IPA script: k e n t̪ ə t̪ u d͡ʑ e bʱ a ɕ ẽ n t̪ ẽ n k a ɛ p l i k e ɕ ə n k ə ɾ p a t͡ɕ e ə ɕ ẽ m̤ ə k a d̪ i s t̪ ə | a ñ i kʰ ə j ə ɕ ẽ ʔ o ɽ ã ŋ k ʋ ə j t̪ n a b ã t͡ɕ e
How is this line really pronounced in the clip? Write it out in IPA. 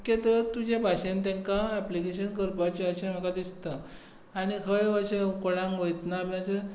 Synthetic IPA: k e t̪ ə t̪ u d͡ʑ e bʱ a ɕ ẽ n t̪ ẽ ŋ k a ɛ p l i k e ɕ ə n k ə ɾ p a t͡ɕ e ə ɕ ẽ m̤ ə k a d̪ i s t̪ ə | a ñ i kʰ ə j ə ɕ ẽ k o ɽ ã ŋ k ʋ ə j t̪ n a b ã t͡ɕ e